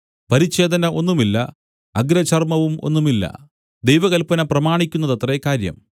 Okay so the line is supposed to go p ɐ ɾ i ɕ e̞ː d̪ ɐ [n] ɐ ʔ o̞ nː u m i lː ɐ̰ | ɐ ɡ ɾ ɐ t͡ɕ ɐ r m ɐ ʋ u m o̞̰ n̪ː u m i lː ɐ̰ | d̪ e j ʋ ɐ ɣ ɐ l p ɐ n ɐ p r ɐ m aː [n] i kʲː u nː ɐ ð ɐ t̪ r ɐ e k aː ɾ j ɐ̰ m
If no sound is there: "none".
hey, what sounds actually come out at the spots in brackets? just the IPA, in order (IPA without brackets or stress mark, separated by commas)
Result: n, ɳ